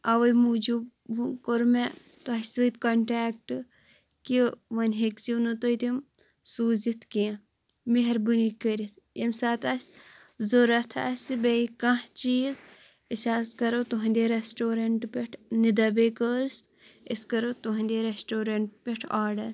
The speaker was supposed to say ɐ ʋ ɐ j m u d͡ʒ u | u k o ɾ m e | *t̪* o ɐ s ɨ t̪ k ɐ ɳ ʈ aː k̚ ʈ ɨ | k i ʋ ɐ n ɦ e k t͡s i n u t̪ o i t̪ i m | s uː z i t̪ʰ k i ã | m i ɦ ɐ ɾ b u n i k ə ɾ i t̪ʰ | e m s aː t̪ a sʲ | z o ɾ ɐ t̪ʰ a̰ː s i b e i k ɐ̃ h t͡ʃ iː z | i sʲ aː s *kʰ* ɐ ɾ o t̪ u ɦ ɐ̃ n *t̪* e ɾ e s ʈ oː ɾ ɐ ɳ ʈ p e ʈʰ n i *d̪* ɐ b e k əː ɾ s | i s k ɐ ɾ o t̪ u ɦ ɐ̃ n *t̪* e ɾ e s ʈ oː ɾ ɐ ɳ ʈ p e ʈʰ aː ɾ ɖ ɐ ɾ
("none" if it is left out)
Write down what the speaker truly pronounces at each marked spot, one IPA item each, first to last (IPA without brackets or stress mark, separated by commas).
t̪, k, d̪, d̪, d̪